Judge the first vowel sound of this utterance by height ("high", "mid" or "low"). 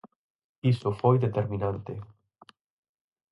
high